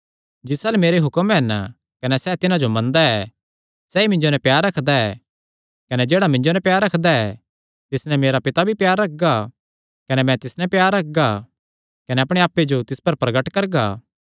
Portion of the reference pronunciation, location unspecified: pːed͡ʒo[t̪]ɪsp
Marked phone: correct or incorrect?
correct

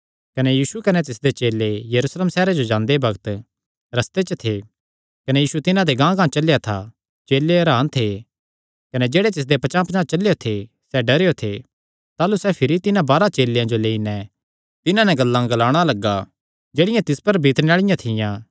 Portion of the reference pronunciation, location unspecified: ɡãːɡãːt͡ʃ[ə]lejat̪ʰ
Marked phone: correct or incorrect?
incorrect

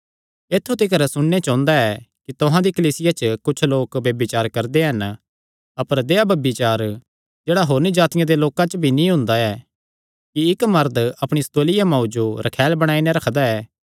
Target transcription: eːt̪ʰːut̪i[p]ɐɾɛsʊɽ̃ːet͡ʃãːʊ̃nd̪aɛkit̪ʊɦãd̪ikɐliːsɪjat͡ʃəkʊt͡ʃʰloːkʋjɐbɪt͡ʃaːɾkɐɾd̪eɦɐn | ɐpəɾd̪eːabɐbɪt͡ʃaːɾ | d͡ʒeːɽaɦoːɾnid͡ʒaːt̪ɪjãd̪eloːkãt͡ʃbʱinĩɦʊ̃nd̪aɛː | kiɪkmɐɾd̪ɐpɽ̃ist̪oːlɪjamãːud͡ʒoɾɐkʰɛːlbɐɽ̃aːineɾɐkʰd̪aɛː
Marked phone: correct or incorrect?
incorrect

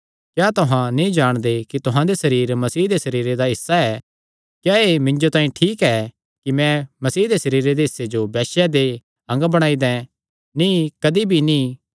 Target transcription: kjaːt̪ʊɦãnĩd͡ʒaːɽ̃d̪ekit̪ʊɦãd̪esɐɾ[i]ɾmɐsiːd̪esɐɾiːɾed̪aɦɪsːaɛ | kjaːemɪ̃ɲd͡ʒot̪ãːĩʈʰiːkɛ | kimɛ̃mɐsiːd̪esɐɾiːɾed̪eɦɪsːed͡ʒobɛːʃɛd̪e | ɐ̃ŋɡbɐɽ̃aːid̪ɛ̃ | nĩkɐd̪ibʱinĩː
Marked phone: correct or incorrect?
incorrect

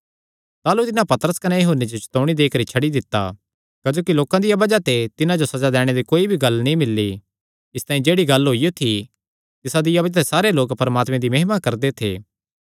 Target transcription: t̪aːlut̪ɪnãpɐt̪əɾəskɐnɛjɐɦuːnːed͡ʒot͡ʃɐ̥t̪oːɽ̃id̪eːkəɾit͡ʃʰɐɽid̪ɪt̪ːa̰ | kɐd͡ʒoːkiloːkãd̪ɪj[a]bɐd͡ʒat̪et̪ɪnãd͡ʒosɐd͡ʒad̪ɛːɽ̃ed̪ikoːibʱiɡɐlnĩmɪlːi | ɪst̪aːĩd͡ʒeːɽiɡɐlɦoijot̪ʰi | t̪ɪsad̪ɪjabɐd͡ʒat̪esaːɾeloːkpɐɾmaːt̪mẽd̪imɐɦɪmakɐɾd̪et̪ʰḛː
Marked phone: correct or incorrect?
correct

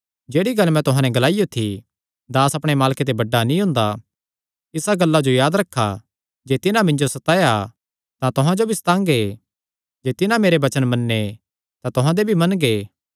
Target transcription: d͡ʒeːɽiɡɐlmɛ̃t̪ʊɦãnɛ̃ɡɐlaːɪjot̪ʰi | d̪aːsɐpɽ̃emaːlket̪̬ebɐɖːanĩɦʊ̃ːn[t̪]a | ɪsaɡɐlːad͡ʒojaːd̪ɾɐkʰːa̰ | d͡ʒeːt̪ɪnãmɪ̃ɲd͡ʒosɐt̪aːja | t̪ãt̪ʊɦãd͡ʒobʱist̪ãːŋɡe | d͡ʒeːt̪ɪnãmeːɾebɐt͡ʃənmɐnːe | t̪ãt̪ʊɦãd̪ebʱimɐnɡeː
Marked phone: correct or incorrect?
incorrect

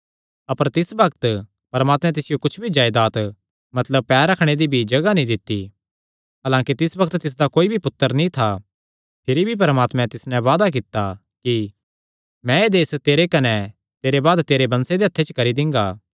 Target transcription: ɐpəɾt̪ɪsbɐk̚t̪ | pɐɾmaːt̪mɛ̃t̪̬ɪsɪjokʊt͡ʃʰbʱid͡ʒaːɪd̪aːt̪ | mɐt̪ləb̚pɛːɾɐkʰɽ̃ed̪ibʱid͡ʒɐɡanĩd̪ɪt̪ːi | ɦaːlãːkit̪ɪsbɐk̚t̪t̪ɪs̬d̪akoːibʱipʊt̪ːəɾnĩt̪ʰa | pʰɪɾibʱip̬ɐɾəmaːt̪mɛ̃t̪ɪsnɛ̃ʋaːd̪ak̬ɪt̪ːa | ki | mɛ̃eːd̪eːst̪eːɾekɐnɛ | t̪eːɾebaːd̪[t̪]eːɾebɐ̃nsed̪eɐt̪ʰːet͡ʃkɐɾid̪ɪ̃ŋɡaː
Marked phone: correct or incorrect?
correct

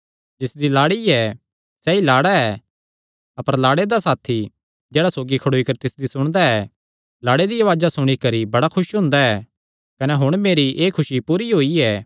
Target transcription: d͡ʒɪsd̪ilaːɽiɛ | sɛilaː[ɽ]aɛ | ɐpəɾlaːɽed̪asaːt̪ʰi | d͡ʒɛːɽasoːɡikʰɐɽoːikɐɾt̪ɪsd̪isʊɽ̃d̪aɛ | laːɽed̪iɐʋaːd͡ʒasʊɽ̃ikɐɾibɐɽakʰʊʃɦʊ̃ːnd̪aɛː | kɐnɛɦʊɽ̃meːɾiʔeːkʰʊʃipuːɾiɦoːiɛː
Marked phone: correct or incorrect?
correct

